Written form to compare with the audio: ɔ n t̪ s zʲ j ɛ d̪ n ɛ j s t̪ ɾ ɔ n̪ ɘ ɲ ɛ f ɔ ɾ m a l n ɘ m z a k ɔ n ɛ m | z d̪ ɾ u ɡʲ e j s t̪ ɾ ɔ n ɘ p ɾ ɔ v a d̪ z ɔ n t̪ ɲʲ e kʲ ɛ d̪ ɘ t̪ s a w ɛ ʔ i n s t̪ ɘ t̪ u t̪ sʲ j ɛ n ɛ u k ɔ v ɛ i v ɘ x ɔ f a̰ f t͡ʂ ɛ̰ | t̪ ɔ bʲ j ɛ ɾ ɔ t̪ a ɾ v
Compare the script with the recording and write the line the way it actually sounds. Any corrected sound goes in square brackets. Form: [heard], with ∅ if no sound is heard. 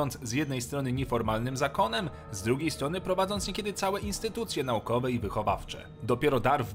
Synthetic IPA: ɔ n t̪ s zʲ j ɛ d̪ n ɛ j s t̪ ɾ ɔ n̪ ɘ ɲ ɛ f ɔ ɾ m a l n ɘ m z a k ɔ n ɛ m | z d̪ ɾ u ɡʲ e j s t̪ ɾ ɔ n ɘ p ɾ ɔ v a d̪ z ɔ n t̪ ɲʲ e kʲ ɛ d̪ ɘ t̪ s a w ɛ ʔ i n s t̪ ɘ t̪ u t̪ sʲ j ɛ n [a] u k ɔ v ɛ i v ɘ x ɔ [v] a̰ f t͡ʂ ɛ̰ | [d̪] ɔ [pʲ] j ɛ ɾ ɔ [d̪] a ɾ v